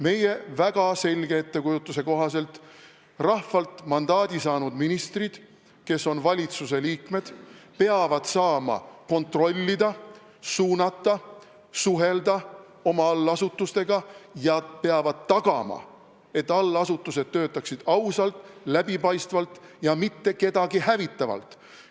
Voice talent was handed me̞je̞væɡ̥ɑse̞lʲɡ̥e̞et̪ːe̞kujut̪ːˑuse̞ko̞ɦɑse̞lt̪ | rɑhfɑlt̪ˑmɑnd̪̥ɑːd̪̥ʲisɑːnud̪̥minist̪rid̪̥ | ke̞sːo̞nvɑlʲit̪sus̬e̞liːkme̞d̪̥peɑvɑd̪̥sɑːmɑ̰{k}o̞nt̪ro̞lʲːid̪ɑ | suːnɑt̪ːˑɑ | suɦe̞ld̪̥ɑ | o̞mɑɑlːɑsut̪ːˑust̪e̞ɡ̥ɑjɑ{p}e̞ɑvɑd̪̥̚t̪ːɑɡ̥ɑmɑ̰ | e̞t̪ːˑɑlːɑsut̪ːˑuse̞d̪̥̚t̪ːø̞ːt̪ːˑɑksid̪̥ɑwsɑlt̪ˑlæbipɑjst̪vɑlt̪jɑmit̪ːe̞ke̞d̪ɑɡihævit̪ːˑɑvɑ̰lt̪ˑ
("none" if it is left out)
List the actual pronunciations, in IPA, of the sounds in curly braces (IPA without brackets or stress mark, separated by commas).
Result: k, p